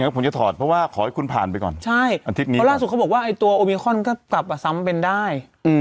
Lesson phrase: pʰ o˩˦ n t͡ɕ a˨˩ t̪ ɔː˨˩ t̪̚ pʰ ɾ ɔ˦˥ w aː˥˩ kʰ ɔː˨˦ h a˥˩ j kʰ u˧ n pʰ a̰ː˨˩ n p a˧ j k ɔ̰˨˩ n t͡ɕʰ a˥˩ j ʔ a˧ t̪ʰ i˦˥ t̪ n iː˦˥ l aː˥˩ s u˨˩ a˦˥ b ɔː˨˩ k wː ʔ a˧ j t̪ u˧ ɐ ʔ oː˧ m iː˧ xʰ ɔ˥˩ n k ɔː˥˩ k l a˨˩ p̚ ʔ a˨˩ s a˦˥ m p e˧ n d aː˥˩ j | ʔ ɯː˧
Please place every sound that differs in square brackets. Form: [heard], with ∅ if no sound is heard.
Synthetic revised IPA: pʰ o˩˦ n t͡ɕ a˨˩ [t̪ʰ] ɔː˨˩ t̪̚ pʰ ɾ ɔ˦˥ w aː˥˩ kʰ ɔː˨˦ h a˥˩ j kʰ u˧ n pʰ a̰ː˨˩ n p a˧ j k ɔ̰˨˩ n t͡ɕʰ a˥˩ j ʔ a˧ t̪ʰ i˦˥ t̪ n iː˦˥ l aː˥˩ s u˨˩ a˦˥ b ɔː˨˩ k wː ʔ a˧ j t̪ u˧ ɐ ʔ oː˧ m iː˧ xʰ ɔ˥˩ n k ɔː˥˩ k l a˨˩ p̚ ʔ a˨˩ s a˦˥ m p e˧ n d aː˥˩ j | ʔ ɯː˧